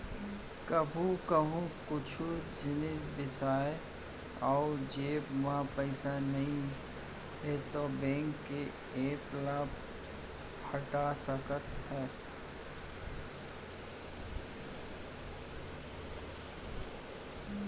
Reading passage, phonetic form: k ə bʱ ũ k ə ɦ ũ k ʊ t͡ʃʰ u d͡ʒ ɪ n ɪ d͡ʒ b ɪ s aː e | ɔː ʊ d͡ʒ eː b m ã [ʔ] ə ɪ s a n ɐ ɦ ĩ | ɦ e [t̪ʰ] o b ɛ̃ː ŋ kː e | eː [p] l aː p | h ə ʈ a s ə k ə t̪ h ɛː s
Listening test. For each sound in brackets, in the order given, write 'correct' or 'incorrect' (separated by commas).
incorrect, incorrect, correct